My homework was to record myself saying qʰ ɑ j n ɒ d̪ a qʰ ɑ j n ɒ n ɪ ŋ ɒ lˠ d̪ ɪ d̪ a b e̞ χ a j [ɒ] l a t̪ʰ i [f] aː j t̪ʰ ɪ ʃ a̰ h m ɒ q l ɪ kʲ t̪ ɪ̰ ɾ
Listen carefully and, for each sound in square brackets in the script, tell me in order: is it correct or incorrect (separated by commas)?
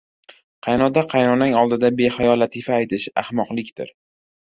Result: correct, correct